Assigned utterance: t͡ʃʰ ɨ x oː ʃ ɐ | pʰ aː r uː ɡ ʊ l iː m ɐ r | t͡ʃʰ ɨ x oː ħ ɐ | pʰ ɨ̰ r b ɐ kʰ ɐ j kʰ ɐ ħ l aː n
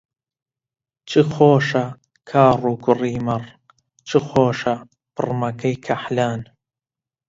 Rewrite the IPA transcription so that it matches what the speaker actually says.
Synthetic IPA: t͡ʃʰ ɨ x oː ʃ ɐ | kʰ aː r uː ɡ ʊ r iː m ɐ r | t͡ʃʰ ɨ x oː ʃ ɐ | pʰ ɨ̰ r m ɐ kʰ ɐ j kʰ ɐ ħ l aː n